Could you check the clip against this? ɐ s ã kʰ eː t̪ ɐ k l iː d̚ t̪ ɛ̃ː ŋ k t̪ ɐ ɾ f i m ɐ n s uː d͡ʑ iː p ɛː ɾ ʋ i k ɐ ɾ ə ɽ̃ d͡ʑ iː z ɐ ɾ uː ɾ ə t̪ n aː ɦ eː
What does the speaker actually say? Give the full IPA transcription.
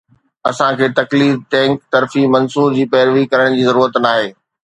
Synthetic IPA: ɐ s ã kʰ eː t̪ ɐ k l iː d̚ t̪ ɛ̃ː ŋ k t̪ ɐ ɾ f i m ɐ n s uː d͡ʑ iː p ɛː ɾ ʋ i k ɐ ɾ ə ɽ̃ d͡ʑ iː z ɐ ɾ uː ɾ ə t̪ n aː ɦ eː